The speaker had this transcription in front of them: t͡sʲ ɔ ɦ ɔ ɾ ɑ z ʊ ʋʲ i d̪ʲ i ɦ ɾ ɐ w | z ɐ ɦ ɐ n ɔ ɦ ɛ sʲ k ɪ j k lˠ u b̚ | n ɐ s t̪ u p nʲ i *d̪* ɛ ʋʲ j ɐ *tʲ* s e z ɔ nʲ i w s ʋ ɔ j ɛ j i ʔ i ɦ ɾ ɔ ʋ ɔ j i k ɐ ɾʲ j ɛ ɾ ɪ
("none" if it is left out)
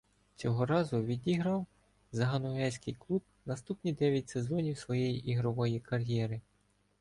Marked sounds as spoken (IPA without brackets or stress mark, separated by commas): d̪, tʲ